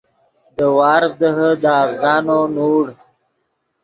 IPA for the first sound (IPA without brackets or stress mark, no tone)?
d̪